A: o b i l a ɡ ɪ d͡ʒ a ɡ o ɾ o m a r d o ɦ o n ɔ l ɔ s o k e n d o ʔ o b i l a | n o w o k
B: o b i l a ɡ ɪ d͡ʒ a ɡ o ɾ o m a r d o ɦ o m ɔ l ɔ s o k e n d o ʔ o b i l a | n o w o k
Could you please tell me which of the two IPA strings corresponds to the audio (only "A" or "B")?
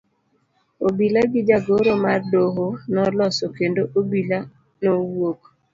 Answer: A